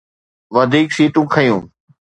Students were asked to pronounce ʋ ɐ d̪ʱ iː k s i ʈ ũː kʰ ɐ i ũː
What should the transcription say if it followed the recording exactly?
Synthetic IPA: ʋ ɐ d̪ʱ iː k s iː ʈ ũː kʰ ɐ j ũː

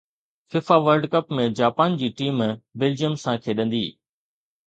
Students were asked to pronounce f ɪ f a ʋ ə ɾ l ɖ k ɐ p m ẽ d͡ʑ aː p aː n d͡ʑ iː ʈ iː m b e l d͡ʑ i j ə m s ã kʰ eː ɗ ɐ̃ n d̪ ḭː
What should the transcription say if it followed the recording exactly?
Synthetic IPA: f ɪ f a ʋ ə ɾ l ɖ k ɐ p m ẽ d͡ʑ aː p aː n d͡ʑ iː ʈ iː m b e l d͡ʑ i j ə m s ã kʰ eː ɗ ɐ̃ n d̪ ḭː

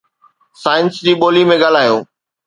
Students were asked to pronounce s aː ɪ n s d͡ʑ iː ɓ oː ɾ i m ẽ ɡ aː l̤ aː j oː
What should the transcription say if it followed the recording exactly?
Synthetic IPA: s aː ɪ n s d͡ʑ iː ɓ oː l i m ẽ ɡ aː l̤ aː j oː

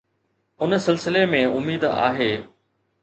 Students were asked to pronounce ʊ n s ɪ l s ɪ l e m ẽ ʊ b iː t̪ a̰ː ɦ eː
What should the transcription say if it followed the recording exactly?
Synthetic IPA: ʊ n s ɪ l s ɪ l e m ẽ ʊ m iː d̪ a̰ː ɦ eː

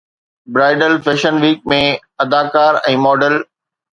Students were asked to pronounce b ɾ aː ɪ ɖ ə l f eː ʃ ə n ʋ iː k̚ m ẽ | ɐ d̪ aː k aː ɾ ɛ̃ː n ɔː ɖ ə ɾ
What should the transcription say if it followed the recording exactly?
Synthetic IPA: b ɾ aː ɪ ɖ ə l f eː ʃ ə n ʋ iː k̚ m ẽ | ɐ d̪ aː k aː ɾ ɛ̃ː m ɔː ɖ ə l

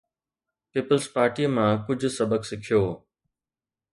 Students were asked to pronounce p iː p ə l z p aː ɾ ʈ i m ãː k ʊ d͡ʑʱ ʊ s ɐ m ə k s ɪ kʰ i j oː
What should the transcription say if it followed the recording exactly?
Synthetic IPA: p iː p ə l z p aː ɾ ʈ i m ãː k ʊ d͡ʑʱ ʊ s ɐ b ə k s ɪ kʰ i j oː

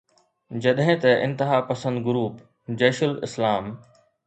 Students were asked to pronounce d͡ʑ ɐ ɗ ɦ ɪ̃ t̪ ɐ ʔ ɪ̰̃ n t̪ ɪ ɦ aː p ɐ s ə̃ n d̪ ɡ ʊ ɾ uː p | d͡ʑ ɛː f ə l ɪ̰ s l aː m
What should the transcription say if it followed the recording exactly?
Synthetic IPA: d͡ʑ ɐ ɗ ɦ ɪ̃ t̪ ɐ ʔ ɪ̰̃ n t̪ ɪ ɦ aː p ɐ s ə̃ n d̪ ɡ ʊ ɾ uː p | d͡ʑ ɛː ʃ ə l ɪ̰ s l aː m

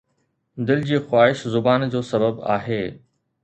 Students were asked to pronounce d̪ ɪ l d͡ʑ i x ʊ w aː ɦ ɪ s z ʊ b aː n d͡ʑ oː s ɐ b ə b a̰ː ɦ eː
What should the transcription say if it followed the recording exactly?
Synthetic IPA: d̪ ɪ l d͡ʑ iː x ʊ w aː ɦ ɪ ʃ z ʊ b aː n d͡ʑ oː s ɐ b ə b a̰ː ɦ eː

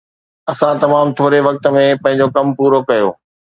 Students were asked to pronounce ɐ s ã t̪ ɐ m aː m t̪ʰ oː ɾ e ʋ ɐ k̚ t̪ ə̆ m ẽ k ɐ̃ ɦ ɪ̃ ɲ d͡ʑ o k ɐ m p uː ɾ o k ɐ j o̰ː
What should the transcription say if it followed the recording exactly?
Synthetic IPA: ɐ s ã t̪ ɐ m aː m t̪ʰ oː ɾ e ʋ ɐ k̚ t̪ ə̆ m ẽ p ɐ̃ ɦ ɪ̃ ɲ d͡ʑ o k ɐ m p uː ɾ o k ɐ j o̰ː

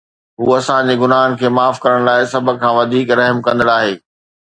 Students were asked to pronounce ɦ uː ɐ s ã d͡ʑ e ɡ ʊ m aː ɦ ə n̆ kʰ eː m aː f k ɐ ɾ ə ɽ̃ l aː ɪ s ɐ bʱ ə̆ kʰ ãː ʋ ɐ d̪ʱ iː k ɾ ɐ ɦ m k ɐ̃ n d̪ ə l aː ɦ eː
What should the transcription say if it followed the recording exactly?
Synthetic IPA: ɦ uː ɐ s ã d͡ʑ e ɡ ʊ n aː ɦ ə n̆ kʰ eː m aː f k ɐ ɾ ə ɽ̃ l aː ɪ s ɐ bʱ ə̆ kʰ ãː ʋ ɐ d̪ʱ iː k ɾ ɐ ɦ m k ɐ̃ n d̪ ə ɽ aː ɦ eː

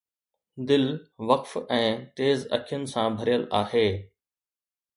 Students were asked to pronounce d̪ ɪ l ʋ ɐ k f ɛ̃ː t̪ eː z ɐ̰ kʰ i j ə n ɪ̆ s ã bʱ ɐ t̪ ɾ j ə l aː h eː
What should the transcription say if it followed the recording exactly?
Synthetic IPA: d̪ ɪ l ʋ ɐ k f ɛ̃ː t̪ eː z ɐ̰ kʰ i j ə n ɪ̆ s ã bʱ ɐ ɾ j ə l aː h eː

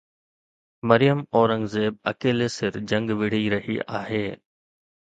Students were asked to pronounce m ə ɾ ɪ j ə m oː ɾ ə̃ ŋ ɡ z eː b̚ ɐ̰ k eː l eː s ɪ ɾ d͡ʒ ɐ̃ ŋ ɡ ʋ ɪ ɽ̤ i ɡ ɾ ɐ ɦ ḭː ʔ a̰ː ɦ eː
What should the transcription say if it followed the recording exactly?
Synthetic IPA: m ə ɾ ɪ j ə m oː ɾ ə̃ ŋ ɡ z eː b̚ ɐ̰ k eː l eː s ɪ ɾ d͡ʒ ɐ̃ ŋ ɡ ʋ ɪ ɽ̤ i ɾ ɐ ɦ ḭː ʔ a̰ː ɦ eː

